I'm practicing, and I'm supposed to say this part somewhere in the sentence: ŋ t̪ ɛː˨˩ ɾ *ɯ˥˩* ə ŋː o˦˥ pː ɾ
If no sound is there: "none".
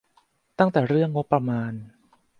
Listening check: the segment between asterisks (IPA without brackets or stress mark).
ɯ˥˩